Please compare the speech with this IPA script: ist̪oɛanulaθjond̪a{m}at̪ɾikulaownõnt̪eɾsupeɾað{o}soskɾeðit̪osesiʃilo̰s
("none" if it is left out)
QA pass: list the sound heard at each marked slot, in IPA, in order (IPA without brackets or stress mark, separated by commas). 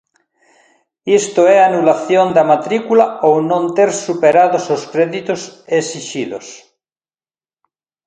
m, o